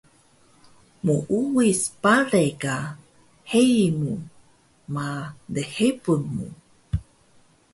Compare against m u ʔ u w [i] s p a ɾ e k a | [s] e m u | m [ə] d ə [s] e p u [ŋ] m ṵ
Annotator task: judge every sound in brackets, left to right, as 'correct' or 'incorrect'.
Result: correct, incorrect, incorrect, incorrect, incorrect

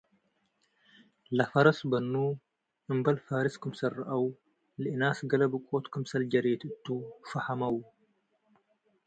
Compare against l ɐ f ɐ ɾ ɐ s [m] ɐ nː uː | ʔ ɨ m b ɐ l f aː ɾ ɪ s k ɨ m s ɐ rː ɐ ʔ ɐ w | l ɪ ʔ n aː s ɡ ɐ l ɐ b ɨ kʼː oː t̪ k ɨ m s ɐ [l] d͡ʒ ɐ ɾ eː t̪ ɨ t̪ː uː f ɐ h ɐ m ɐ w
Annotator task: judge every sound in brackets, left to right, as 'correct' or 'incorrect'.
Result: incorrect, correct

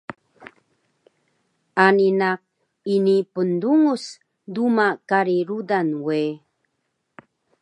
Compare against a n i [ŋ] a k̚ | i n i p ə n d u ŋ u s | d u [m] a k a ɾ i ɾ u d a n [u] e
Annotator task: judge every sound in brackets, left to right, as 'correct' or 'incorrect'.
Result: incorrect, correct, incorrect

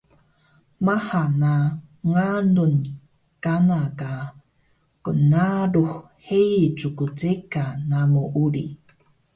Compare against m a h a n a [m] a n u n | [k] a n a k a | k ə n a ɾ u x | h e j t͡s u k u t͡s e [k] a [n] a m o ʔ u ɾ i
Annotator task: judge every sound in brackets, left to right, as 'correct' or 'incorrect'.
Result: incorrect, correct, correct, correct

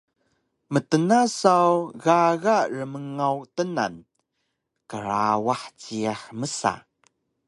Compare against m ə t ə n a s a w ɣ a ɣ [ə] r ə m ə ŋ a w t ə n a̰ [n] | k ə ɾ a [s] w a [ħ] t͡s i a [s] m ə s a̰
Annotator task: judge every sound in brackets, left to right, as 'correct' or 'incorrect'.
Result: incorrect, correct, incorrect, correct, incorrect

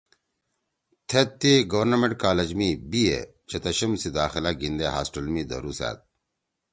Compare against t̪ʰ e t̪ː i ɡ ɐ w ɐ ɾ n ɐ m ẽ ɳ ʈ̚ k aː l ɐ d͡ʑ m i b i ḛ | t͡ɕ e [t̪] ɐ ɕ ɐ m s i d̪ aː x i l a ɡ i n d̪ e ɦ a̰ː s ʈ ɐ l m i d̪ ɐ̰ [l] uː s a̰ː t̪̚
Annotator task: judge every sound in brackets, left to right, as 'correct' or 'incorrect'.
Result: correct, incorrect

